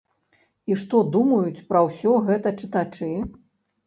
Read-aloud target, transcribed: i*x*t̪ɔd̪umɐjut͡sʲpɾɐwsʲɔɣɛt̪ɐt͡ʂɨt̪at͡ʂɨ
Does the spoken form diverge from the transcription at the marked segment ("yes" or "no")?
yes